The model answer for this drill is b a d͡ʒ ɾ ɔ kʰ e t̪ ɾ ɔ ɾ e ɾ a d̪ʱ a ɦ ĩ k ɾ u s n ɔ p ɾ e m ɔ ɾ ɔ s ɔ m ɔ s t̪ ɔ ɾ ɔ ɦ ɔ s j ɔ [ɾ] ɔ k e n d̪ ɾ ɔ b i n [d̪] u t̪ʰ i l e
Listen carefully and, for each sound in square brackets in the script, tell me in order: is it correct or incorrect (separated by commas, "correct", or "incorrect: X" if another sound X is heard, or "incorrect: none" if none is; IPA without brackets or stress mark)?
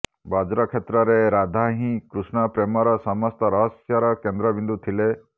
correct, correct